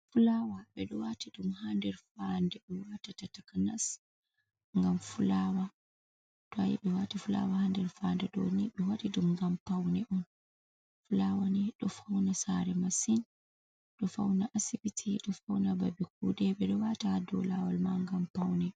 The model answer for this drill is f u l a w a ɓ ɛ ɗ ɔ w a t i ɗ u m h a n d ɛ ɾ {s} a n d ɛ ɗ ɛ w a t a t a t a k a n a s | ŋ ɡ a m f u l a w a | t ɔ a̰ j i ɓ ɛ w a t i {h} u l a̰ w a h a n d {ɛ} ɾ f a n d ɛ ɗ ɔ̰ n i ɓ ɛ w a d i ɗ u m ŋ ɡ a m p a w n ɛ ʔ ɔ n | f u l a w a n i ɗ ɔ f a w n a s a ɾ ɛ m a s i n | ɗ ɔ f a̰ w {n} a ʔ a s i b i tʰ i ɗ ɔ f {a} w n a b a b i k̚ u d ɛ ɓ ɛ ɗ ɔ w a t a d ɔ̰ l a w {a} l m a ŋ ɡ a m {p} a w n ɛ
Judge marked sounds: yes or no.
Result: no, no, yes, yes, yes, yes, yes

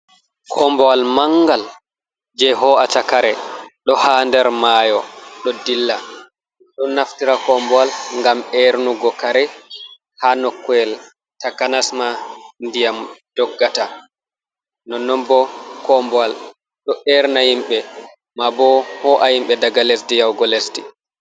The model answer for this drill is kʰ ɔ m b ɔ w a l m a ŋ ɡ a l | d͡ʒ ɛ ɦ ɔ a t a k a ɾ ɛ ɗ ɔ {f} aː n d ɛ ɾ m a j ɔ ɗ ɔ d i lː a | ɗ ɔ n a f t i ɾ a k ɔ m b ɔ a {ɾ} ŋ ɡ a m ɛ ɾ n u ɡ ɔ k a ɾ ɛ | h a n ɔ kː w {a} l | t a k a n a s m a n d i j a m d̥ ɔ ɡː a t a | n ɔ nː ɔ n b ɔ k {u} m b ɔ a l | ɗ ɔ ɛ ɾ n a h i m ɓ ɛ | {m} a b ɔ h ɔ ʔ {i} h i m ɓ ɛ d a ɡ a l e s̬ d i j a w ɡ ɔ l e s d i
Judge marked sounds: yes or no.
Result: no, no, no, no, yes, no

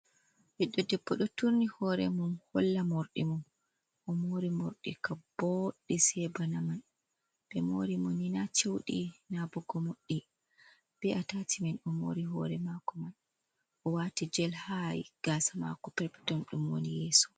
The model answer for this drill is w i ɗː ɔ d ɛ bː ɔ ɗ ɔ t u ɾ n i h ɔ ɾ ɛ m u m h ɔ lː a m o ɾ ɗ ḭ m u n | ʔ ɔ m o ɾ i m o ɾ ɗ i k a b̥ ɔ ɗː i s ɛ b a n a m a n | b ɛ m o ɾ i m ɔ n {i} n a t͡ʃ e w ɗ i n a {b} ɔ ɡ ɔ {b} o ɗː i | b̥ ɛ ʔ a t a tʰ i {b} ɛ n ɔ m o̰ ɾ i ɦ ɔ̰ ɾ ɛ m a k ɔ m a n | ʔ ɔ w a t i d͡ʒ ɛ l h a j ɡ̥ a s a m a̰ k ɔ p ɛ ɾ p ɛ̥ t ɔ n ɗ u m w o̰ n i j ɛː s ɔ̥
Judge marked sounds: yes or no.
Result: yes, yes, no, no

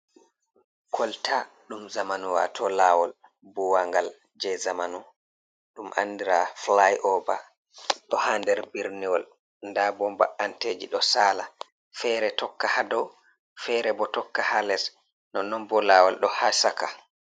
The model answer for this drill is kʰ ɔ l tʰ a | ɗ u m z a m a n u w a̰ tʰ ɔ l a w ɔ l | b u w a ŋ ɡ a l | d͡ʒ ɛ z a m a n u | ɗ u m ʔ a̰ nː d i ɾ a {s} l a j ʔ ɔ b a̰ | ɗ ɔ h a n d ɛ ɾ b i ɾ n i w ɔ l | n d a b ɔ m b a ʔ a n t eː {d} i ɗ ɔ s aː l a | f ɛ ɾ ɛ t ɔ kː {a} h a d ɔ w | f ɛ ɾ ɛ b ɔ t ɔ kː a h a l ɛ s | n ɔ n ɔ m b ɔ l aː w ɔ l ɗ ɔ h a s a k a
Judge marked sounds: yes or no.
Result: no, no, yes

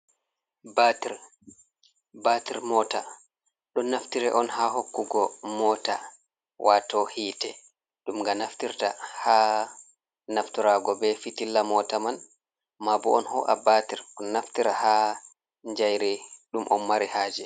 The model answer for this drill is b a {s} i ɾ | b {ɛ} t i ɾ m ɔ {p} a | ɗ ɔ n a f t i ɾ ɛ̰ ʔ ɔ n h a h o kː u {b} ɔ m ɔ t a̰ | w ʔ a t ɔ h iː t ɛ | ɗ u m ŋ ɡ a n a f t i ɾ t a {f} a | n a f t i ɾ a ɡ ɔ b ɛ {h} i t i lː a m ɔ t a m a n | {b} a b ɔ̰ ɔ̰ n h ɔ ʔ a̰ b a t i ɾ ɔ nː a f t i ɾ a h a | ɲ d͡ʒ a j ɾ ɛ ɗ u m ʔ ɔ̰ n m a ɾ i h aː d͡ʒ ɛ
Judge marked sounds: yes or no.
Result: no, no, no, no, no, no, no

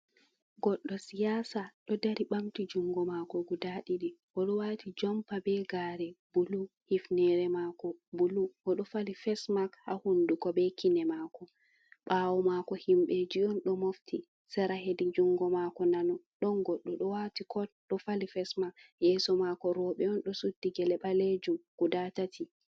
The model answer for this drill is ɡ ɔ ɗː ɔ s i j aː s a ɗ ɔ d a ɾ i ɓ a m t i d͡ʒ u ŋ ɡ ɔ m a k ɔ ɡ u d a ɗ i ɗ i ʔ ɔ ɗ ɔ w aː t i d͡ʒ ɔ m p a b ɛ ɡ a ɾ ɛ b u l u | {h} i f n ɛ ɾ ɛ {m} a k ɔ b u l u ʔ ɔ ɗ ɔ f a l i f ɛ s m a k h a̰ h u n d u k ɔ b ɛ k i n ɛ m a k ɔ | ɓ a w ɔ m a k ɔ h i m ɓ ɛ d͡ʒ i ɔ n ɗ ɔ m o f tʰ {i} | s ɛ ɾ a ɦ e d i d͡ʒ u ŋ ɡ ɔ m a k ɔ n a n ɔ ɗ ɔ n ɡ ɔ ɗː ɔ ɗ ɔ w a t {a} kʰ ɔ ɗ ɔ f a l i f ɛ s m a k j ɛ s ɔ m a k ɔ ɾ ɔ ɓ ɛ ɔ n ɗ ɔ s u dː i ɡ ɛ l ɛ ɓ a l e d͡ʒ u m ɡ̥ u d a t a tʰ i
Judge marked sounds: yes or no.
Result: yes, yes, yes, no

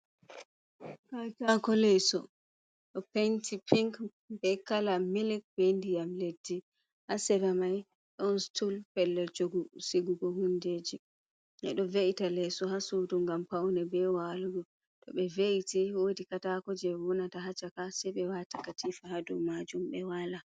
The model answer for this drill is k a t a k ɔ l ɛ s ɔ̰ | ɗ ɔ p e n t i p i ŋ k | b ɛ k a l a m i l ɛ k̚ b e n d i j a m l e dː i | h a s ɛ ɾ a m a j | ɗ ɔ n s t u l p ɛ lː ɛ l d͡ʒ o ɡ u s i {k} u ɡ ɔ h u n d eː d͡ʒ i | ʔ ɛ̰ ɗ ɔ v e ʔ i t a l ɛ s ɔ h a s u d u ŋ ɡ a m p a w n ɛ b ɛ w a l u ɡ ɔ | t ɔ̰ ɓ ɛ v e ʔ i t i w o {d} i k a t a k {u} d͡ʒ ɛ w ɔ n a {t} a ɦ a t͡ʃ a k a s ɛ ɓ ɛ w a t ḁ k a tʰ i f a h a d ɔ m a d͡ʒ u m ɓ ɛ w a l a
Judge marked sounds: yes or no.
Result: no, yes, no, yes

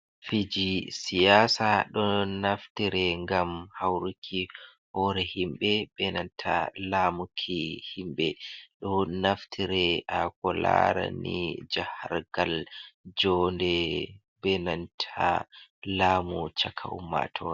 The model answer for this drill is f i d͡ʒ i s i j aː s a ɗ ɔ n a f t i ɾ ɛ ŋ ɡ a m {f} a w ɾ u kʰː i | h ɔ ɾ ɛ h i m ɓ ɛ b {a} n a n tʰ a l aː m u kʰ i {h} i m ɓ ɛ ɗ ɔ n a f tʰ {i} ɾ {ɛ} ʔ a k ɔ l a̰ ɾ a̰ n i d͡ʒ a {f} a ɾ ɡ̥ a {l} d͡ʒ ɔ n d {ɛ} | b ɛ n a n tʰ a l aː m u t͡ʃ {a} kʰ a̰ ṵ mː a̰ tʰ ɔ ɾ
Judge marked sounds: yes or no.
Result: no, no, yes, yes, yes, no, yes, yes, yes

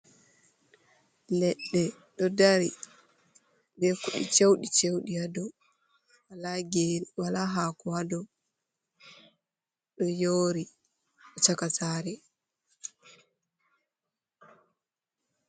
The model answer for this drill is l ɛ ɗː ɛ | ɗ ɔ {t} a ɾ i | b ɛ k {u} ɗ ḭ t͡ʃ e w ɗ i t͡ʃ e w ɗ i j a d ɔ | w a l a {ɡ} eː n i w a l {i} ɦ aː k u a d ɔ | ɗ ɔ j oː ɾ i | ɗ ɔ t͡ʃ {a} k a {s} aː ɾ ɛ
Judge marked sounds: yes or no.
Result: no, yes, yes, no, yes, no

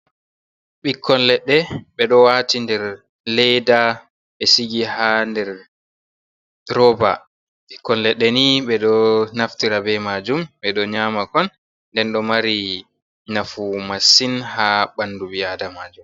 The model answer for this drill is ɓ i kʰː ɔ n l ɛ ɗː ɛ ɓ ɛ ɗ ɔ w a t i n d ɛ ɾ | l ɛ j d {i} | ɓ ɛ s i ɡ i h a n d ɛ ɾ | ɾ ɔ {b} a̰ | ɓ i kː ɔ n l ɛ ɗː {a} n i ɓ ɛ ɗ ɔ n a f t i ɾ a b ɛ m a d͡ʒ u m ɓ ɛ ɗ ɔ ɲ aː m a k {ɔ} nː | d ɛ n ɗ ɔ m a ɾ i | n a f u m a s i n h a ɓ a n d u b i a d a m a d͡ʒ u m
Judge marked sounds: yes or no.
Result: no, yes, no, yes

